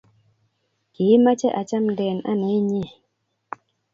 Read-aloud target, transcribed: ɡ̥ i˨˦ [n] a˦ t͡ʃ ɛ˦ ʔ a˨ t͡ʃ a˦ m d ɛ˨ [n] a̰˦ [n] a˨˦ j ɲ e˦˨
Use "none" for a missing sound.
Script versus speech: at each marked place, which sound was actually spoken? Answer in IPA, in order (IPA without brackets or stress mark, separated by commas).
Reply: m, n, n